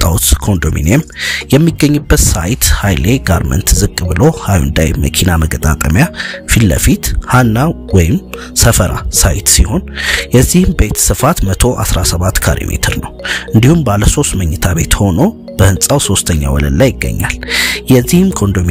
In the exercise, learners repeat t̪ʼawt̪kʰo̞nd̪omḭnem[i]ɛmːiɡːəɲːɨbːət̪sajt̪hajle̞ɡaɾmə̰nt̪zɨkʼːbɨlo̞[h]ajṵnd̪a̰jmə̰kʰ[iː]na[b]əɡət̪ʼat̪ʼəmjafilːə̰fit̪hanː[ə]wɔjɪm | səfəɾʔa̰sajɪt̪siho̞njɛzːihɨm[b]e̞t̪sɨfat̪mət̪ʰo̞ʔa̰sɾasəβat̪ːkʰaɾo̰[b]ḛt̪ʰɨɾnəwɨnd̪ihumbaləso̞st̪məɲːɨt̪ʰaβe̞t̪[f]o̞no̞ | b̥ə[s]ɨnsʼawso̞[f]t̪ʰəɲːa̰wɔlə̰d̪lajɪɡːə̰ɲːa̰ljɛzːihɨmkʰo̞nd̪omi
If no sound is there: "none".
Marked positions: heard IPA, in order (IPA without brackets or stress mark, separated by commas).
j, h, i, m, a, b, m, h, h, s